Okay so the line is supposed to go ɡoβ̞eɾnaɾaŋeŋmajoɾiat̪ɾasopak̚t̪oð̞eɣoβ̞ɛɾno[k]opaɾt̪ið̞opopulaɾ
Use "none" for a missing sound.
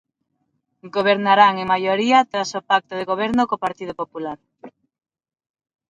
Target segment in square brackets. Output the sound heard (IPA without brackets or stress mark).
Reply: k